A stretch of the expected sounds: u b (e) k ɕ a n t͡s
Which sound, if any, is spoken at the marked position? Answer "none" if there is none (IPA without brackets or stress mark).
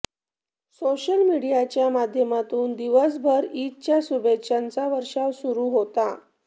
e